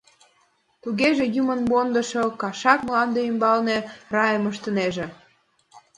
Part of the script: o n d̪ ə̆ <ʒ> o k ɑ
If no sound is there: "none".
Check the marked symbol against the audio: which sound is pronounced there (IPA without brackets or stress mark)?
ʃ